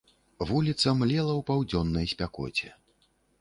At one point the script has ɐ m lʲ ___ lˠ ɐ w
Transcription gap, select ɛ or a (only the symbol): ɛ